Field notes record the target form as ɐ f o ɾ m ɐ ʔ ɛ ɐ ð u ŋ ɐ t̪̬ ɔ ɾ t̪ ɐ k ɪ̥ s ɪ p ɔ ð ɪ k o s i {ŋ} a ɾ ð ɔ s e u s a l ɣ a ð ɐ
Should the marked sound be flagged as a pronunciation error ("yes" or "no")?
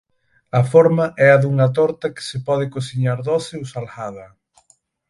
yes